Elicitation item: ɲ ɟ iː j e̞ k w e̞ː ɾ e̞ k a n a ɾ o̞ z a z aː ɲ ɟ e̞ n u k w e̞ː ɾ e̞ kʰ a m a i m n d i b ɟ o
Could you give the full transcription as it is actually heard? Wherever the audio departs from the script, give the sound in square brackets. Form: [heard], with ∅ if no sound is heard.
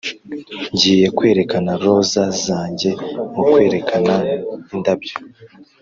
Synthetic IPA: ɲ ɟ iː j e̞ k w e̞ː ɾ e̞ k a n a ɾ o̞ z a z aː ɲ ɟ e̞ [m] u k w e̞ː ɾ e̞ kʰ a [n] a i [∅] n d [a] b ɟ o